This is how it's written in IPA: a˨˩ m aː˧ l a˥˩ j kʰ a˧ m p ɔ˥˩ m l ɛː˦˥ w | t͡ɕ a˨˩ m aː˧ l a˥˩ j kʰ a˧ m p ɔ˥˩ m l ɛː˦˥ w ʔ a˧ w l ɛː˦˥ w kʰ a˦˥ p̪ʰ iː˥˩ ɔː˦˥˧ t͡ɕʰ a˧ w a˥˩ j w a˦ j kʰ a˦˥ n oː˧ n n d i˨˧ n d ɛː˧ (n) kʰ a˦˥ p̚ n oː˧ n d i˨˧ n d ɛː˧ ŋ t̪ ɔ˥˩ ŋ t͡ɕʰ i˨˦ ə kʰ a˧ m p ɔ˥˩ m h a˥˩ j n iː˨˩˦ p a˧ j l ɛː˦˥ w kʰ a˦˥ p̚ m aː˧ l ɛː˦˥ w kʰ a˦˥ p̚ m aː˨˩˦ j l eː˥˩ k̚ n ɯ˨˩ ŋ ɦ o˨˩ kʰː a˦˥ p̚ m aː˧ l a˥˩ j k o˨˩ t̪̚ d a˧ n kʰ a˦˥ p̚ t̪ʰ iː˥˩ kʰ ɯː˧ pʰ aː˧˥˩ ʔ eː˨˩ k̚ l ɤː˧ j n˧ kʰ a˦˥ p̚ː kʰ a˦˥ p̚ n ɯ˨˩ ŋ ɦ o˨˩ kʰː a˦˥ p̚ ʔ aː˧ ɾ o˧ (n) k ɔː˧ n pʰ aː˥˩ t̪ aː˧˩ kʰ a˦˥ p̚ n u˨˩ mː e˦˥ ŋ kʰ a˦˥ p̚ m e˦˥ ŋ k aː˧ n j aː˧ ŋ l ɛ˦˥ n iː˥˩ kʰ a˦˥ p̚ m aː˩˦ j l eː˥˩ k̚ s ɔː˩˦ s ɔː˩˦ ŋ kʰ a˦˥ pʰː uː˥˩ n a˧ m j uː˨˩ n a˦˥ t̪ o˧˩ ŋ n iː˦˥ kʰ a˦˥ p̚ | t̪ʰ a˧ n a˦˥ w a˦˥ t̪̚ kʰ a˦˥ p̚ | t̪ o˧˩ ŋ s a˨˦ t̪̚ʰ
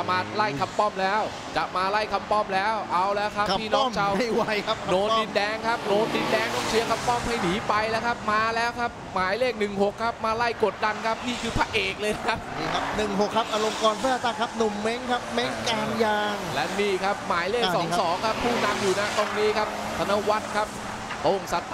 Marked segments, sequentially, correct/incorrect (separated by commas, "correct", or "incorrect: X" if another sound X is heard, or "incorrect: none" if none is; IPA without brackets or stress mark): incorrect: ŋ, incorrect: m